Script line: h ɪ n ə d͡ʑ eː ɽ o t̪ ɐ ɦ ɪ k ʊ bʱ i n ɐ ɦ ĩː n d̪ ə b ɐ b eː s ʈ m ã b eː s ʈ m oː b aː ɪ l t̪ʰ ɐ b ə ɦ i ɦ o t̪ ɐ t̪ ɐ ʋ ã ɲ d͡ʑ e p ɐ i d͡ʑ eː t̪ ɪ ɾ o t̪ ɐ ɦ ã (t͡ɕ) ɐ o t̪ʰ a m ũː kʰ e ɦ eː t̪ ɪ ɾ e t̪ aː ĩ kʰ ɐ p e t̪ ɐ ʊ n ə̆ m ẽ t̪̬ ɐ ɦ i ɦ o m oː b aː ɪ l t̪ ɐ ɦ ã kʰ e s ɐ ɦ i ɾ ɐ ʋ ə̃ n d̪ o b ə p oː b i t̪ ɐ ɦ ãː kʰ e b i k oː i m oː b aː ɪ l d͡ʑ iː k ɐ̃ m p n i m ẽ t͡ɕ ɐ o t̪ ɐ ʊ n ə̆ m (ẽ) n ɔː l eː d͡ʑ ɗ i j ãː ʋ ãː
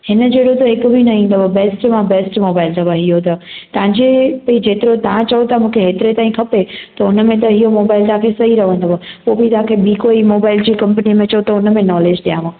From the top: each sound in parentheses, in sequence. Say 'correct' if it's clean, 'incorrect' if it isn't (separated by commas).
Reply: correct, correct